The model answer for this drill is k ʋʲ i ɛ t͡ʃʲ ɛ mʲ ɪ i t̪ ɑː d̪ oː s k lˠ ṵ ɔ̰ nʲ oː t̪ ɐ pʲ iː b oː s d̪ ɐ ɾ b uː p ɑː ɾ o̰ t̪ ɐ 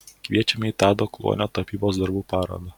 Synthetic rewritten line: k ʋʲ i ɛ t͡ʃʲ ɛ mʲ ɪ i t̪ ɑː d̪ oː k lˠ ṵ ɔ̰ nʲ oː t̪ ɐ pʲ iː b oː s d̪ ɐ ɾ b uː p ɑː ɾ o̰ d̪ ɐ